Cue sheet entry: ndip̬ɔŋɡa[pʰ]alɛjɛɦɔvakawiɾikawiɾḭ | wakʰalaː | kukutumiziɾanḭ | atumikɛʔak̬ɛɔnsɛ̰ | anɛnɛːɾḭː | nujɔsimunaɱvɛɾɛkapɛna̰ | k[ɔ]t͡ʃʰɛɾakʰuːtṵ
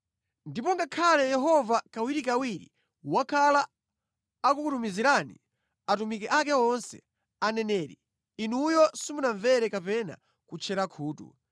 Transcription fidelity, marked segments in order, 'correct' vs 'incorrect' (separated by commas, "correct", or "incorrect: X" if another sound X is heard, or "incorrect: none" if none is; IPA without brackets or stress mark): incorrect: kʰ, incorrect: u